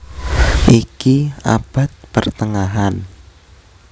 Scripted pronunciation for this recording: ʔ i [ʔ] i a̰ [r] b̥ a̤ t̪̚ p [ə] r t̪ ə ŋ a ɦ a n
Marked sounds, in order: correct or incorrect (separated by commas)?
incorrect, incorrect, correct